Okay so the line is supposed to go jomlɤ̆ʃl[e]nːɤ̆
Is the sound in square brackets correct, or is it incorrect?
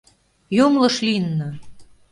incorrect